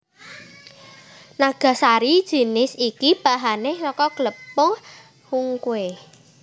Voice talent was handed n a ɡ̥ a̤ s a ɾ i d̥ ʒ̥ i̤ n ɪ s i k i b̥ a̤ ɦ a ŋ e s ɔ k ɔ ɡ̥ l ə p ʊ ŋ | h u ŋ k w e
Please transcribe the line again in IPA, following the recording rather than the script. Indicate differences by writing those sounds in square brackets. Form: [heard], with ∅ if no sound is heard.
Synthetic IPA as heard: n a ɡ̥ a̤ s a ɾ i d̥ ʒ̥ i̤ n ɪ s i k i b̥ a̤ ɦ a [n] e s ɔ k ɔ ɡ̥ l ə p ʊ ŋ | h u ŋ k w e